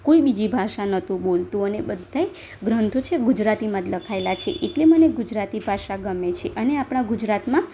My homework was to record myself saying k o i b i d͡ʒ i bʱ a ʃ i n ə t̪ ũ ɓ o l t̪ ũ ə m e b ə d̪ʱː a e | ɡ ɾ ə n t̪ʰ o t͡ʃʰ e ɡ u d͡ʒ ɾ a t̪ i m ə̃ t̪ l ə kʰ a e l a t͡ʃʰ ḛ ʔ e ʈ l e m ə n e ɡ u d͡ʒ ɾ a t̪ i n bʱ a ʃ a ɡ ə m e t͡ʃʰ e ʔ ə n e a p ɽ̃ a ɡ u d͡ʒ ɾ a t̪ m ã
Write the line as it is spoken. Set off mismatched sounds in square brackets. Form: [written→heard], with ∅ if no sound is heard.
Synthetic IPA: k o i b i d͡ʒ i bʱ a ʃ [i→a] n ə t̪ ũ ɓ o l t̪ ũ ə [m→n] e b ə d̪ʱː a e | ɡ ɾ ə n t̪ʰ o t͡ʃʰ e ɡ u d͡ʒ ɾ a t̪ i m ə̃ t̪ l ə kʰ a e l a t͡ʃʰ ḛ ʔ e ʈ l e m ə n e ɡ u d͡ʒ ɾ a t̪ i [n→∅] bʱ a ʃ a ɡ ə m e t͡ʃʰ e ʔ ə n e a p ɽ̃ a ɡ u d͡ʒ ɾ a t̪ m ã

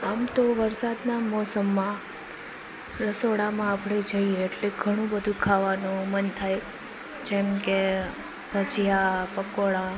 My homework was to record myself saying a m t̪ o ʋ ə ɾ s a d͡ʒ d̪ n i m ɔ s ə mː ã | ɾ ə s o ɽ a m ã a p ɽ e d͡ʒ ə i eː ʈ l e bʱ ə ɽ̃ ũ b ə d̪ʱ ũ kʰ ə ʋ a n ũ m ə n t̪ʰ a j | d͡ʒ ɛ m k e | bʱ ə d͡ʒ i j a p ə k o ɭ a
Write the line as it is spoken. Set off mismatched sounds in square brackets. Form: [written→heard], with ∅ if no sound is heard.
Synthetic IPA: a m t̪ o ʋ ə ɾ s a [d͡ʒ→∅] d̪ n [i→a] m ɔ s ə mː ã | ɾ ə s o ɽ a m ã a p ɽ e d͡ʒ ə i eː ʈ l e [bʱ→ɡʱ] ə ɽ̃ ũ b ə d̪ʱ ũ kʰ [ə→a] ʋ a n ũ m ə n t̪ʰ a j | d͡ʒ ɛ m k e | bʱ ə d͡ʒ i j a p ə k o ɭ a

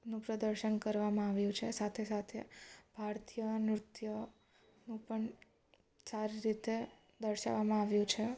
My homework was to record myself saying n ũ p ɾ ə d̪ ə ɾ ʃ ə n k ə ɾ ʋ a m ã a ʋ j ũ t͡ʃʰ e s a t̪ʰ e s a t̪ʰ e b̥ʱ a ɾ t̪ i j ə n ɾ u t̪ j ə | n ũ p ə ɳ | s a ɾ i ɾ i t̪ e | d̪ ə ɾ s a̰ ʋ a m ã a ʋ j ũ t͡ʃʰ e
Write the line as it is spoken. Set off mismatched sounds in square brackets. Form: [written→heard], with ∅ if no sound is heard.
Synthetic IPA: n ũ p ɾ ə d̪ ə ɾ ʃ ə n k ə ɾ ʋ a m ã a ʋ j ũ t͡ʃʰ e s a t̪ʰ e s a t̪ʰ e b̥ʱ a ɾ t̪ i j ə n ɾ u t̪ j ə | n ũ p ə ɳ | s a ɾ i ɾ i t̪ e | d̪ ə ɾ [s→ʃ] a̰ ʋ a m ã a ʋ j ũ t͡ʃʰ e

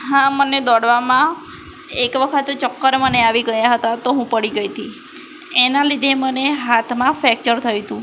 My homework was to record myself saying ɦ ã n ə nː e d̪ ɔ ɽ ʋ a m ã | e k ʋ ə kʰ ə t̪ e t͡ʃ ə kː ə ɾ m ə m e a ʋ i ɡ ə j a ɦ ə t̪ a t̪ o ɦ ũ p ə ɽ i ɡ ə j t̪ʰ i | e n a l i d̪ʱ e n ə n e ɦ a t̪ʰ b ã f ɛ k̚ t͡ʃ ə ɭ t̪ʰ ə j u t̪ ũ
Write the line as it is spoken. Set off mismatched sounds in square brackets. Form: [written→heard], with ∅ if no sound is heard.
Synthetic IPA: ɦ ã [n→m] ə [nː→n] e d̪ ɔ ɽ ʋ a m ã | e k ʋ ə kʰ ə t̪ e t͡ʃ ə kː ə ɾ m ə [m→n] e a ʋ i ɡ ə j a ɦ ə t̪ a t̪ o ɦ ũ p ə ɽ i ɡ ə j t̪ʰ i | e n a l i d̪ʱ e [n→m] ə n e ɦ a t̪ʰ [b→m] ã f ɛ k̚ t͡ʃ ə [ɭ→ɾ] t̪ʰ ə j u t̪ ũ

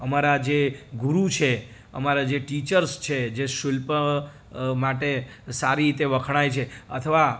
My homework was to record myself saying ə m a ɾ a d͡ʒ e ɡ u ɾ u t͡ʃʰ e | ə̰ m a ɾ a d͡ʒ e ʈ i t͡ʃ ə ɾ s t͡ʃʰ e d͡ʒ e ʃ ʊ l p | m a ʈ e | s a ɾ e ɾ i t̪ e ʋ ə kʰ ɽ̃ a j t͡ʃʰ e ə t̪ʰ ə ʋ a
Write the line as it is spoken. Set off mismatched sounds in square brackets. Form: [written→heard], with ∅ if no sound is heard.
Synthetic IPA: ə m a ɾ a d͡ʒ e ɡ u ɾ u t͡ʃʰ e | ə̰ m a ɾ a d͡ʒ e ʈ i t͡ʃ ə ɾ s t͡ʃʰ e d͡ʒ e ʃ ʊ l p | m a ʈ e | s a ɾ [e→i] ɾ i t̪ e ʋ ə kʰ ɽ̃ a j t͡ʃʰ e ə t̪ʰ ə ʋ a

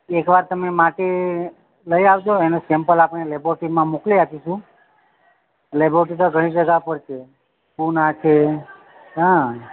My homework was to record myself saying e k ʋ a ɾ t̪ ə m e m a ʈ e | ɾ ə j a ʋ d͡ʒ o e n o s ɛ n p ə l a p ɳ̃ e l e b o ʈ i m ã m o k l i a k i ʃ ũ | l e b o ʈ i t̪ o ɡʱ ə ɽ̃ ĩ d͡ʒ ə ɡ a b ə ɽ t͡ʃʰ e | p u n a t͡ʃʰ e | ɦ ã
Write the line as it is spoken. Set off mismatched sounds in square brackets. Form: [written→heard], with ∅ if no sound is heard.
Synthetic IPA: e k ʋ a ɾ t̪ ə m e m a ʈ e | [ɾ→l] ə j a ʋ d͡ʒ o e n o s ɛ [n→m] p ə l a p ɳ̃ e l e b o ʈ i m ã m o k l i a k i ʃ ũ | l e b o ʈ i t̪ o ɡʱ ə ɽ̃ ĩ d͡ʒ ə ɡ a [b→p] ə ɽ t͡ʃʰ e | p u n a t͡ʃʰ e | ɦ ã

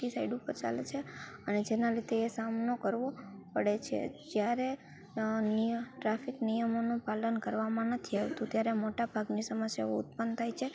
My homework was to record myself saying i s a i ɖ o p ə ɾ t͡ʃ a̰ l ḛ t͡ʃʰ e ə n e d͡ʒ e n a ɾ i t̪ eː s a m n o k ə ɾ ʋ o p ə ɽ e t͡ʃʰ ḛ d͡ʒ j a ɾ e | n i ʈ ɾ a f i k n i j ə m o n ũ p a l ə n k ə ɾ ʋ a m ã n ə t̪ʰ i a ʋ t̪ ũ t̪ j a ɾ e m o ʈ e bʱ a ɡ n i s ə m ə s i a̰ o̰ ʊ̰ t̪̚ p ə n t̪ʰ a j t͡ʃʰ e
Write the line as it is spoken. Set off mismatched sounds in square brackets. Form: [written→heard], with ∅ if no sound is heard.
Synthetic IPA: i s a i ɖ [o→u] p ə ɾ t͡ʃ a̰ l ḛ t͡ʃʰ e ə n e d͡ʒ e n a ɾ i t̪ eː s a m n o k ə ɾ ʋ o p ə ɽ e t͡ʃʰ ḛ d͡ʒ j a ɾ e | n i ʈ ɾ a f i k n i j ə m o n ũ p a l ə n k ə ɾ ʋ a m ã n ə t̪ʰ i a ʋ t̪ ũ t̪ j a ɾ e m o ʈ [e→a] bʱ a ɡ n i s ə m ə s [i→j] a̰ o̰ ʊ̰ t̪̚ p ə n t̪ʰ a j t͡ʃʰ e

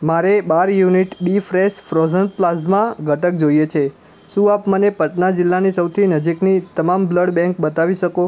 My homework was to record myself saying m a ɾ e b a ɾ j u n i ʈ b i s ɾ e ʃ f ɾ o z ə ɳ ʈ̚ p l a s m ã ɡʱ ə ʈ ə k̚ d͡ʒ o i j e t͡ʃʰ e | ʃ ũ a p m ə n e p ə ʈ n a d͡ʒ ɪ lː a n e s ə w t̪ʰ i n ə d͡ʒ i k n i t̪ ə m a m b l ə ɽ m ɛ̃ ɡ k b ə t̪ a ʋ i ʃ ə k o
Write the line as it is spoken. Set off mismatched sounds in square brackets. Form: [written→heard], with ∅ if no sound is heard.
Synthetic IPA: m a ɾ e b a ɾ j u n i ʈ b i [s→f] ɾ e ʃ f ɾ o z ə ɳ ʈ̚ p l a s m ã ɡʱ ə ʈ ə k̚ d͡ʒ o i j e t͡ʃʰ e | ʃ ũ a p m ə n e p ə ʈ n a d͡ʒ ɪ lː a n [e→i] s ə w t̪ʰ i n ə d͡ʒ i k n i t̪ ə m a m b l ə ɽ [m→b] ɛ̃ [ɡ→ŋ] k b ə t̪ a ʋ i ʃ ə k o

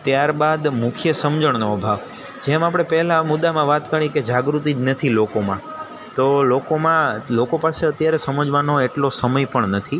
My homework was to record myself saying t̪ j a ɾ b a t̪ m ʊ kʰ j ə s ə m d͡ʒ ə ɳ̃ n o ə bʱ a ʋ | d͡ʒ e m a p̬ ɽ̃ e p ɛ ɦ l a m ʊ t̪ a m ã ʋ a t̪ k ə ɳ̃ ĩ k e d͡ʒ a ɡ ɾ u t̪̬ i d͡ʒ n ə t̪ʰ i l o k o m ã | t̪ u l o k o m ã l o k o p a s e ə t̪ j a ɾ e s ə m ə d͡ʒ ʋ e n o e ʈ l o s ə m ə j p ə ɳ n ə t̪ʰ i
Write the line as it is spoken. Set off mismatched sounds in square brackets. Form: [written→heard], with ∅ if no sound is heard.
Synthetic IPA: t̪ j a ɾ b a [t̪→d̪] m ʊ kʰ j ə s ə m d͡ʒ ə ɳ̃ n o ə bʱ a ʋ | d͡ʒ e m a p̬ ɽ̃ e p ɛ ɦ l a m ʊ [t̪→d̪] a m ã ʋ a t̪ k ə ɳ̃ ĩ k e d͡ʒ a ɡ ɾ u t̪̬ i d͡ʒ n ə t̪ʰ i l o k o m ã | t̪ [u→o] l o k o m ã l o k o p a s e ə t̪ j a ɾ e s ə m ə d͡ʒ ʋ [e→a] n o e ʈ l o s ə m ə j p ə ɳ n ə t̪ʰ i

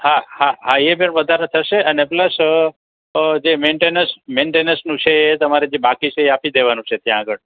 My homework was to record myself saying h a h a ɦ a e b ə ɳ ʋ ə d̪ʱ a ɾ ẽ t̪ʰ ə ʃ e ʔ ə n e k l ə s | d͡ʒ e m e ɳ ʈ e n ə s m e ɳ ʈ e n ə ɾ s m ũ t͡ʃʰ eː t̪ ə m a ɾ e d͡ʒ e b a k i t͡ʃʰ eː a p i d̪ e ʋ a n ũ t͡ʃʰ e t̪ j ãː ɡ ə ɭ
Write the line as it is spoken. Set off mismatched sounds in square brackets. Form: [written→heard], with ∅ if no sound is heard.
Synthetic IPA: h a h a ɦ a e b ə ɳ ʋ ə d̪ʱ a ɾ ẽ t̪ʰ ə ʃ e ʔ ə n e [k→p] l ə s | d͡ʒ e m e ɳ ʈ e n ə s m e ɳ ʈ e n ə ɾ s [m→n] ũ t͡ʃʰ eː t̪ ə m a ɾ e d͡ʒ e b a k i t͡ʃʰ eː a p i d̪ e ʋ a n ũ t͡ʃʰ e t̪ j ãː ɡ ə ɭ

